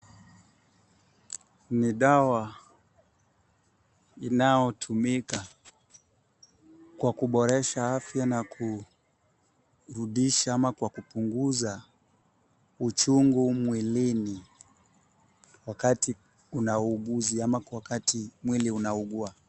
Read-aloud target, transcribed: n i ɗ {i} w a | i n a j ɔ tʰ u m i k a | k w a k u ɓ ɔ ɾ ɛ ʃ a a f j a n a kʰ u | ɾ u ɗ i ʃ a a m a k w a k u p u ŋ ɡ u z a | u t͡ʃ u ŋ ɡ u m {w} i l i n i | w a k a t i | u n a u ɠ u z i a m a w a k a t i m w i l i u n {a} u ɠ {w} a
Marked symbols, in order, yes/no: no, yes, yes, no

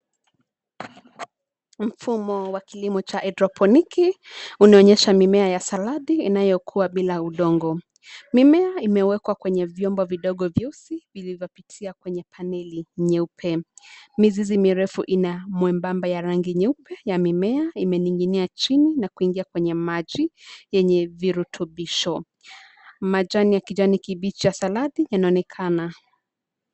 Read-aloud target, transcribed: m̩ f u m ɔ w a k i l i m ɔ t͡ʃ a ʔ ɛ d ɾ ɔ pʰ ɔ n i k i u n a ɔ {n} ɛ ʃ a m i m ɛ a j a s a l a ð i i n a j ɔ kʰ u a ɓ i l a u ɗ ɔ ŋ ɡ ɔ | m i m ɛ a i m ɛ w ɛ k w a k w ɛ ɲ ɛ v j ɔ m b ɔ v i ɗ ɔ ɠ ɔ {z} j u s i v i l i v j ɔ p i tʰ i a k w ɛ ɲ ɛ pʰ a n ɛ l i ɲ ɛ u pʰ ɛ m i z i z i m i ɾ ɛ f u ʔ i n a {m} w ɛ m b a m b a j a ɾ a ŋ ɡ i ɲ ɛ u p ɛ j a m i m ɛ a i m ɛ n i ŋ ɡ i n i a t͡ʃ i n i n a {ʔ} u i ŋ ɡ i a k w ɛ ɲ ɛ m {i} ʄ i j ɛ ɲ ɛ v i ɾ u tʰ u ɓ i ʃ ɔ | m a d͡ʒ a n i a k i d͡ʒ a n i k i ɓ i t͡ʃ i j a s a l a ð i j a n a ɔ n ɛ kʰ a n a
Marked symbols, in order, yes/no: no, no, yes, no, no

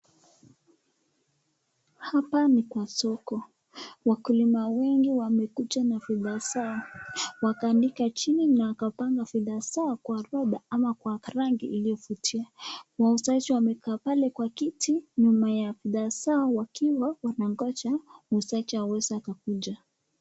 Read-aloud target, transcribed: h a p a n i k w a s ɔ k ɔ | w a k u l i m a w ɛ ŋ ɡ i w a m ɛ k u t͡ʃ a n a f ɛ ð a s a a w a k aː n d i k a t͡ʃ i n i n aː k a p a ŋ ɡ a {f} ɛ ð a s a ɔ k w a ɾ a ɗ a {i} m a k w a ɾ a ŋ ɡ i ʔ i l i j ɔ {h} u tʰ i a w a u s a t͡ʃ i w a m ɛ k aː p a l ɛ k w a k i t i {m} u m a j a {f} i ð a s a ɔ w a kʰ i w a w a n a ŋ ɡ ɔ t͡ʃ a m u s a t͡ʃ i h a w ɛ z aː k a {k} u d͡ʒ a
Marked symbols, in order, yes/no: yes, no, no, no, yes, yes

